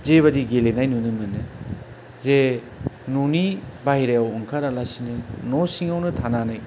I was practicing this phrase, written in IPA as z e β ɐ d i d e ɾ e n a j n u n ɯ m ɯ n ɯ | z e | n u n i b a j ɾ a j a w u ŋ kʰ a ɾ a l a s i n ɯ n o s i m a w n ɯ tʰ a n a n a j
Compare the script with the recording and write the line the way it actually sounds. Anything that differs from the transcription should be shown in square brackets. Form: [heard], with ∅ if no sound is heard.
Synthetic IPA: z e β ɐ d i [ɡ] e [l] e n a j n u n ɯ m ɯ n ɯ | z e | n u n i b a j ɾ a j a w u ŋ kʰ a ɾ a l a s i n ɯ n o s i [ŋ] a w n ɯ tʰ a n a n a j